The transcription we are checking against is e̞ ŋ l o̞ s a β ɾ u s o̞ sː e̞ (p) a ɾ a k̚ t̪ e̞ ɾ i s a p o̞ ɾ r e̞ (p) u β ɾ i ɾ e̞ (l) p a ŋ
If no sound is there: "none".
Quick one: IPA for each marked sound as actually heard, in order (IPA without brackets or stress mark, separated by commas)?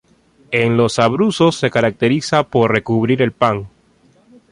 k, k, l